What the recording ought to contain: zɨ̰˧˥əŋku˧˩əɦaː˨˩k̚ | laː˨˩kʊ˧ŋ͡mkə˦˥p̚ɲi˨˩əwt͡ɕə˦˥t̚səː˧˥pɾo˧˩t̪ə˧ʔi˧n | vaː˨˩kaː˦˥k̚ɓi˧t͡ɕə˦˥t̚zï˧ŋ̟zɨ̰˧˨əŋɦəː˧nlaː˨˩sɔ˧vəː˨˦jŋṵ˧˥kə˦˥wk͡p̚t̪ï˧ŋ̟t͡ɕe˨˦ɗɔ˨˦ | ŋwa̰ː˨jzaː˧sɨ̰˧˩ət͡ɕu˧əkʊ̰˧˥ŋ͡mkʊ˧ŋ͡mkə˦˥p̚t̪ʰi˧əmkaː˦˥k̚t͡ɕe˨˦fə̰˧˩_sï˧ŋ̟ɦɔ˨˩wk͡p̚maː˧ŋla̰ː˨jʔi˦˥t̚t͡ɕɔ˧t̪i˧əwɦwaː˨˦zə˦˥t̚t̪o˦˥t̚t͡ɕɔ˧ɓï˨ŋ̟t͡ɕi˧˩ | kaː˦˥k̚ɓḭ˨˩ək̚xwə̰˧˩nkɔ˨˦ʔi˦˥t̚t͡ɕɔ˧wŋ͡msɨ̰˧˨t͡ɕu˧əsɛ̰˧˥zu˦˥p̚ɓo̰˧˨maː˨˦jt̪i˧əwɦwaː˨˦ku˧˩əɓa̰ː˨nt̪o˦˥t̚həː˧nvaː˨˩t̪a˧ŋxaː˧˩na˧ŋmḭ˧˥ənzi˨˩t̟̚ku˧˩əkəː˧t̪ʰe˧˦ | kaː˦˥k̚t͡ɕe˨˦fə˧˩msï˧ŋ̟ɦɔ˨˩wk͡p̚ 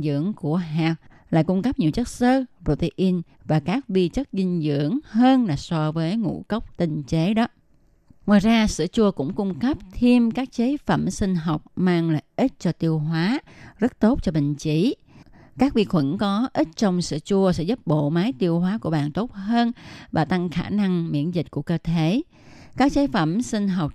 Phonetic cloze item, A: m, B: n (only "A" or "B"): A